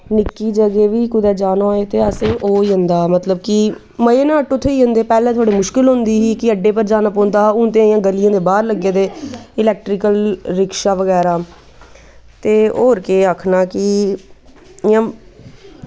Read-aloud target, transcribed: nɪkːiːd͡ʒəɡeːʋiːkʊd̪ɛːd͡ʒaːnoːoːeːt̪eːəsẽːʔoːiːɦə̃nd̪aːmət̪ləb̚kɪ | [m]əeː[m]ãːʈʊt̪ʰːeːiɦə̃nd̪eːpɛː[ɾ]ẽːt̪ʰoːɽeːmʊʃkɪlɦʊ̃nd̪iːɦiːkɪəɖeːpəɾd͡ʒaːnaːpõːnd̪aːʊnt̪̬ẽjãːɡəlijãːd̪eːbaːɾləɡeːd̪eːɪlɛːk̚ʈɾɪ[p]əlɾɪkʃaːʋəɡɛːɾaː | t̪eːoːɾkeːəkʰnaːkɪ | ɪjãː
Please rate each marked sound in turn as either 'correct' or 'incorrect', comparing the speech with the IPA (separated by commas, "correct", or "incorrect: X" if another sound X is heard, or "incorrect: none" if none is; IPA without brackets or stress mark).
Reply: correct, incorrect: n, incorrect: l, incorrect: k